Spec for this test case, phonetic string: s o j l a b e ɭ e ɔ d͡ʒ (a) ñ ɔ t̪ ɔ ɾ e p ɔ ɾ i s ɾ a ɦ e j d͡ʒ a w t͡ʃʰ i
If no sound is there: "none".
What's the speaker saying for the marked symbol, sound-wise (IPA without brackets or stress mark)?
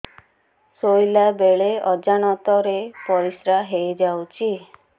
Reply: a